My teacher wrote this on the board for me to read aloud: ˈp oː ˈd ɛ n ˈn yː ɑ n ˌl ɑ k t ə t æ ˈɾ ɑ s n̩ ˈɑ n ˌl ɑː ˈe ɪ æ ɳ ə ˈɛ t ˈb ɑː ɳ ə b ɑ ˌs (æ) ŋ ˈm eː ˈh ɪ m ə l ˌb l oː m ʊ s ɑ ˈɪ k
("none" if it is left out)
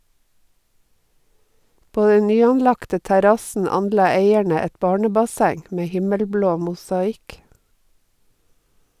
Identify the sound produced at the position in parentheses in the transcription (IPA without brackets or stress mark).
æ